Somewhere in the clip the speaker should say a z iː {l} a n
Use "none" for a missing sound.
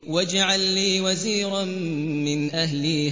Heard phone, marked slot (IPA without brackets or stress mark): ɾ